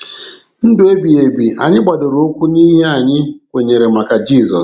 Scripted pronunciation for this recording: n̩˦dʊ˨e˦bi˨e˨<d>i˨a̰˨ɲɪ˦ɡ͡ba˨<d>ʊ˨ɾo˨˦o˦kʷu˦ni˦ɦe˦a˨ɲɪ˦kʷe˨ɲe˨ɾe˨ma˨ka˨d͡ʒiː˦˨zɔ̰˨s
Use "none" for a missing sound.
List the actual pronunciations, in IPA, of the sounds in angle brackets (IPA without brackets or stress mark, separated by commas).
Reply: b, d